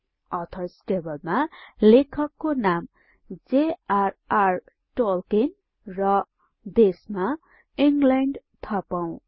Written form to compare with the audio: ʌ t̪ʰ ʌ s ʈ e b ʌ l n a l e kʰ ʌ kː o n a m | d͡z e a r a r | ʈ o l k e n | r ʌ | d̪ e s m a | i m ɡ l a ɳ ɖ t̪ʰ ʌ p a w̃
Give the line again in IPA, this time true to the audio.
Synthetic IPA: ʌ t̪ʰ ʌ s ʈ e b ʌ l m a l e kʰ ʌ kː o n a m | d͡z e a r a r | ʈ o l k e n | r ʌ | d̪ e s m a | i ŋ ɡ l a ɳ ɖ t̪ʰ ʌ p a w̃